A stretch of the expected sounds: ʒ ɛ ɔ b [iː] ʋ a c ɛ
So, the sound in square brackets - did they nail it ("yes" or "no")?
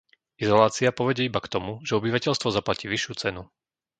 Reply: no